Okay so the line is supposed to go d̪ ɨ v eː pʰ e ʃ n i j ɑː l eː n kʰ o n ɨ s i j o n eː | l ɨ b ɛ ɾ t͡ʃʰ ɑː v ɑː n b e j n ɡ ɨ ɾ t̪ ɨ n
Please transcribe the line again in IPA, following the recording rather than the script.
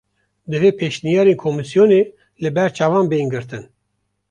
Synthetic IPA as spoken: d̪ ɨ v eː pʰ e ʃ n i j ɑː ɾ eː n kʰ o m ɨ s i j o n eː | l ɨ b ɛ ɾ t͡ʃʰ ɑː v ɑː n b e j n ɡ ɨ ɾ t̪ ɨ n